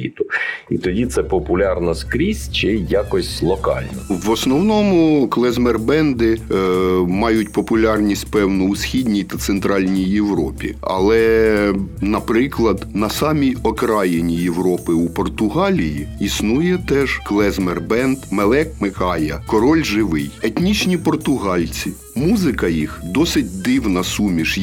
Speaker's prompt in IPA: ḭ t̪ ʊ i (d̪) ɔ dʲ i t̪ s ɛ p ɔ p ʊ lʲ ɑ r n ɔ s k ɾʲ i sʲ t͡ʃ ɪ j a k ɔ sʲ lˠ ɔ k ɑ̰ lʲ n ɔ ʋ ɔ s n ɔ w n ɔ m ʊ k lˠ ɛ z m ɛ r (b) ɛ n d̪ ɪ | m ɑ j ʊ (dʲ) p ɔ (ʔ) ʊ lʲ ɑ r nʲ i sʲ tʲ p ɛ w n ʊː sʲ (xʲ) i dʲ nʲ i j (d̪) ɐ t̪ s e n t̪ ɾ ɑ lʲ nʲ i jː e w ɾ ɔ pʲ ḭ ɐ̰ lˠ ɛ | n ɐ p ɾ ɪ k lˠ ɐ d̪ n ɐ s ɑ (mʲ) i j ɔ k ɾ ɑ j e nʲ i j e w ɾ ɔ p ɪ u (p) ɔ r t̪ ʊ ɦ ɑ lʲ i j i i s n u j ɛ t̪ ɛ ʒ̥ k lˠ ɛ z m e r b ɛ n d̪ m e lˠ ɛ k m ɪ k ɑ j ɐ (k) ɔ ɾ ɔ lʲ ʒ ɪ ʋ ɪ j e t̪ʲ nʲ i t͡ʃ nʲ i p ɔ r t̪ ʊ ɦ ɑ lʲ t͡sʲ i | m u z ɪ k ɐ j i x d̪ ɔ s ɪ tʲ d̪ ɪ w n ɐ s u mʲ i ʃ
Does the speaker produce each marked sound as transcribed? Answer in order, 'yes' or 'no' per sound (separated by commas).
no, yes, no, no, yes, no, yes, yes, yes